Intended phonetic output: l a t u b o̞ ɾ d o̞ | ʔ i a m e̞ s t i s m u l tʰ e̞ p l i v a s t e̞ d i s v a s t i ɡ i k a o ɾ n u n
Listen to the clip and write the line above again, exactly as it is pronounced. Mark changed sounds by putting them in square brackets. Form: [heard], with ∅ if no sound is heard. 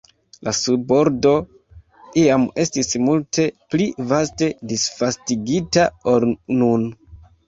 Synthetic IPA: l a [s] u b o̞ ɾ d o̞ | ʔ i a m e̞ s t i s m u l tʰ e̞ p l i v a s t e̞ d i s [f] a s t i ɡ i [t] a o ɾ n u n